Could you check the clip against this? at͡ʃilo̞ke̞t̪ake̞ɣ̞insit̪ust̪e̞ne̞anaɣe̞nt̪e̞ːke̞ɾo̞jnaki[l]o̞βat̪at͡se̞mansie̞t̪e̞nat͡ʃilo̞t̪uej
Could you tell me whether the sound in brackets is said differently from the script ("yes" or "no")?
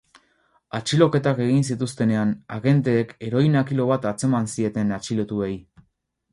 no